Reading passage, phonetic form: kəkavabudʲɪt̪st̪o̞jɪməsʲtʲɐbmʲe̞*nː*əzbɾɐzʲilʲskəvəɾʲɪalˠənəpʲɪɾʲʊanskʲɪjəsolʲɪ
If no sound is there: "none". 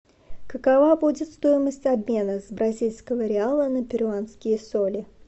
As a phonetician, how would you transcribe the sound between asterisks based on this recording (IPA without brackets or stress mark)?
n